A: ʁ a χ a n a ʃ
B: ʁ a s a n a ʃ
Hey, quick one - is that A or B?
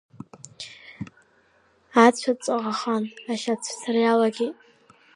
A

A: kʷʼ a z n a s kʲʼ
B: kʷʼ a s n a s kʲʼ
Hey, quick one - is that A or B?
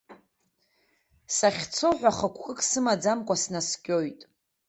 B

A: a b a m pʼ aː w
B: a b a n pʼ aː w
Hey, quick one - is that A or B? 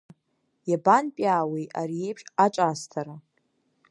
B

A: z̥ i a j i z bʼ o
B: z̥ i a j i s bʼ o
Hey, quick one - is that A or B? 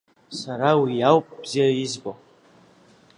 A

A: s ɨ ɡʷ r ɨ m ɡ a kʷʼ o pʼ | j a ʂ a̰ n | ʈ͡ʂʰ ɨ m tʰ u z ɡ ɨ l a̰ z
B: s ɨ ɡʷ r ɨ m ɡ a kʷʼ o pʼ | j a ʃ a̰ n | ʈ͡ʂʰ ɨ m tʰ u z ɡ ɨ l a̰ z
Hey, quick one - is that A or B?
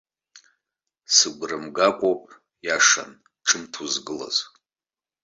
A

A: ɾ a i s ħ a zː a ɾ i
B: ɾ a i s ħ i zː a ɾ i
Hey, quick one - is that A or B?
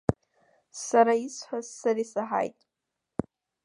A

